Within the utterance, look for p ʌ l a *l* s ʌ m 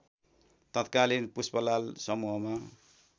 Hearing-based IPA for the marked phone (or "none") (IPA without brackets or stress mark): l